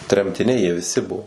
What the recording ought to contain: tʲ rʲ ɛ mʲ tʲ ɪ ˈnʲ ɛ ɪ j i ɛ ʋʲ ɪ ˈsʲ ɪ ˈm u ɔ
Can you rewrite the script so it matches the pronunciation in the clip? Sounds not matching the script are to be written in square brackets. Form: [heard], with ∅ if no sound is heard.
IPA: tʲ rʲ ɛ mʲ tʲ ɪ ˈnʲ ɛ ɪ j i ɛ ʋʲ ɪ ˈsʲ ɪ [ˈb] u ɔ